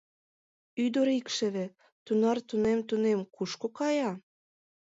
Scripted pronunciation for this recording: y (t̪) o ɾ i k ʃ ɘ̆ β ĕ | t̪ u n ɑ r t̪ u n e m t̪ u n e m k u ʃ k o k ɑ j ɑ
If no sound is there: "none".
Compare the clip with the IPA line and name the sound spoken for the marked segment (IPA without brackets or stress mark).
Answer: d̪